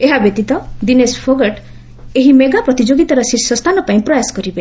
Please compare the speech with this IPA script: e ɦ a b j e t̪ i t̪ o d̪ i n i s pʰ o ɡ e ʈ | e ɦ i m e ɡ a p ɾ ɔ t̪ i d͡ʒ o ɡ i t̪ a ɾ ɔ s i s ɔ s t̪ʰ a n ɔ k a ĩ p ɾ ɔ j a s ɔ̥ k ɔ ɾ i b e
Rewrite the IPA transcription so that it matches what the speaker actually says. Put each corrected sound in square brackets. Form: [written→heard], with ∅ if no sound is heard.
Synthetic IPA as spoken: e ɦ a b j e t̪ i t̪ [o→ɔ] d̪ i n [i→e] s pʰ o ɡ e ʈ | e ɦ i m e ɡ a p ɾ ɔ t̪ i d͡ʒ o ɡ i t̪ a ɾ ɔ s i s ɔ s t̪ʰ a n ɔ [k→p] a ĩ p ɾ ɔ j a s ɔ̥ k ɔ ɾ i b e